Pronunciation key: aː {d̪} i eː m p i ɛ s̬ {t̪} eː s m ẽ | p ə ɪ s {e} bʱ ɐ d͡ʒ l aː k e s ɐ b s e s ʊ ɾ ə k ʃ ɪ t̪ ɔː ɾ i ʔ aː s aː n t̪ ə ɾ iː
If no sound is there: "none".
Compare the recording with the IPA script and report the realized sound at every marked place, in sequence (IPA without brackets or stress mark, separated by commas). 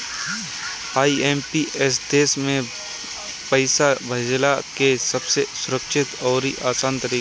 none, d̪, a